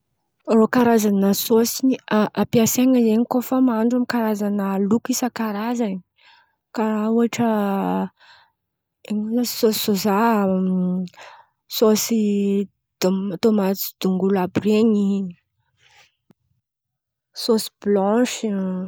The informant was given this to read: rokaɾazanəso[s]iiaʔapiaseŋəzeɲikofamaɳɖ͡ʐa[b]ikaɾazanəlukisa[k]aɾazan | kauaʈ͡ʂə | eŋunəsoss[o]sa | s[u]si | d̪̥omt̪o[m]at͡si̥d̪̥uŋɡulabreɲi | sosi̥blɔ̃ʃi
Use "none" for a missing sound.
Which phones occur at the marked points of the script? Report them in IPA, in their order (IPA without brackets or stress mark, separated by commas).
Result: s, m, k, o, o, m